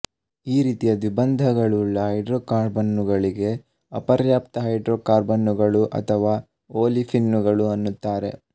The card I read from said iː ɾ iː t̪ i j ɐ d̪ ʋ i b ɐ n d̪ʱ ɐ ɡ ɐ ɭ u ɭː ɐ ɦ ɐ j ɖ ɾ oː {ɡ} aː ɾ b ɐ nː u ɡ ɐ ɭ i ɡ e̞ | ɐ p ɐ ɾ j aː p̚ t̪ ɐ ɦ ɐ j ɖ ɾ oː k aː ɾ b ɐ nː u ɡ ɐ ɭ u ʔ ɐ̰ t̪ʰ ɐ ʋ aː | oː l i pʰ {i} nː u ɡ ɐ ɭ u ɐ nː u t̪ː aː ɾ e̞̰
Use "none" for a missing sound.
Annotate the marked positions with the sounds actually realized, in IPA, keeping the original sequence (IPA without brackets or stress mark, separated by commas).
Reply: k, i